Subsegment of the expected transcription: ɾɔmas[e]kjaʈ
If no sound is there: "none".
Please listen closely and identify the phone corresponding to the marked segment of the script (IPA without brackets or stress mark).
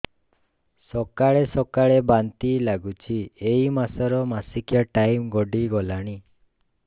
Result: i